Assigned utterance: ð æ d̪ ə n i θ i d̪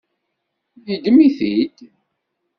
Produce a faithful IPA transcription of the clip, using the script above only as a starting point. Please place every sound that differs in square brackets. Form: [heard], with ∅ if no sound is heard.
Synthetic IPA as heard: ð [i] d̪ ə [m] i θ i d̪